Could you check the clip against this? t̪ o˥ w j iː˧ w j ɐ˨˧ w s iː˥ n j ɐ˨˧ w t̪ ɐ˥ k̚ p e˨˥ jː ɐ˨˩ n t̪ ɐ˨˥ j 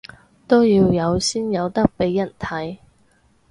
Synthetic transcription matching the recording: t̪ o˥ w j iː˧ w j ɐ˨˧ w s iː˥ n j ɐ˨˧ w t̪ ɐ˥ k̚ p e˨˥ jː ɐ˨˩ n t̪ʰ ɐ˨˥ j

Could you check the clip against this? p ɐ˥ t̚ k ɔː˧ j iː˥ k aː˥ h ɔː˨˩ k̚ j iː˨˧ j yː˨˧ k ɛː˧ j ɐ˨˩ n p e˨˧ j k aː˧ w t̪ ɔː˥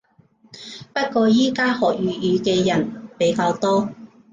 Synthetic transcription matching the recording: p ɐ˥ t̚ k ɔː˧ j iː˥ k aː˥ h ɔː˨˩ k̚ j yː˨˧ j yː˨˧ k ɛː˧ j ɐ˨˩ n p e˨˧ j k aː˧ w t̪ ɔː˥

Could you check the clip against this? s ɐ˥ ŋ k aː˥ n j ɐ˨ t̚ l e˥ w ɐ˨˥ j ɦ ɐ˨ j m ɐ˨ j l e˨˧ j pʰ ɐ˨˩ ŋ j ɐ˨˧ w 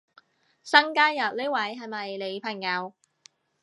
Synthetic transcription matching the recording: s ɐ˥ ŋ k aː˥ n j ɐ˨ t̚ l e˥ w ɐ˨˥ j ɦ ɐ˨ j m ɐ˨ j l e˨˧ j pʰ ɐ˨˩ ŋ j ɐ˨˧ w

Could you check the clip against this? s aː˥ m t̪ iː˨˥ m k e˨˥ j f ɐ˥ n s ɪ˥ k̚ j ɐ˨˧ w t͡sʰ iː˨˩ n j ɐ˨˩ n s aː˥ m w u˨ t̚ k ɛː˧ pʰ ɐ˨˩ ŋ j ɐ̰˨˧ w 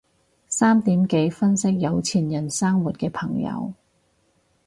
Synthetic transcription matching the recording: s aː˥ m t̪ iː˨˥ m k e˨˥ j f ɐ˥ n s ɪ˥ k̚ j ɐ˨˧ w t͡sʰ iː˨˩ n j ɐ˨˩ n s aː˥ ŋ w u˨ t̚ k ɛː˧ pʰ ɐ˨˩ ŋ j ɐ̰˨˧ w

